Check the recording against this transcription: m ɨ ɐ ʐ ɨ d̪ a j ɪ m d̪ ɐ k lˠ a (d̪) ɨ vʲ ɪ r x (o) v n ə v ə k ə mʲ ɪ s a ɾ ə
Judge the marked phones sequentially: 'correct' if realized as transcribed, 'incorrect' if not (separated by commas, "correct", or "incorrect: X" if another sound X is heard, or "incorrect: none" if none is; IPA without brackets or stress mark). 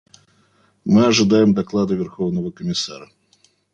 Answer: correct, correct